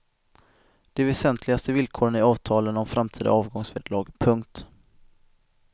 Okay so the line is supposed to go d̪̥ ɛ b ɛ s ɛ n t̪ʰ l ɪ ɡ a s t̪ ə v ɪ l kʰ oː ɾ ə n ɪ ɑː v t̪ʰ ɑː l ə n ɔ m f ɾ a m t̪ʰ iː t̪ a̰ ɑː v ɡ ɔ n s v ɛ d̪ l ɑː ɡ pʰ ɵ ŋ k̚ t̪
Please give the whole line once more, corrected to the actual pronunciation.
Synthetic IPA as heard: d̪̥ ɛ v ɛ s ɛ n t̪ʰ l ɪ ɡ a s t̪ ə v ɪ l kʰ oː ɾ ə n ɪ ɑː v t̪ʰ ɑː l ə n ɔ m f ɾ a m t̪ʰ iː d̪ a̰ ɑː v ɡ ɔ ŋ s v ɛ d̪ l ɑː ɡ pʰ ɵ ŋ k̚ t̪